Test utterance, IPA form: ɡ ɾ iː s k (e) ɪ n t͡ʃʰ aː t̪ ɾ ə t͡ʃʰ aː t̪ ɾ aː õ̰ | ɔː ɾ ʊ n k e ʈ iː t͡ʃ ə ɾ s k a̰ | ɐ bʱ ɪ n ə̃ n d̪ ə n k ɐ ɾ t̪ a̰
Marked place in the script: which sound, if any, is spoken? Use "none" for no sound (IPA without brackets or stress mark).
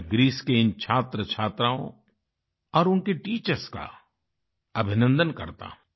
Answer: e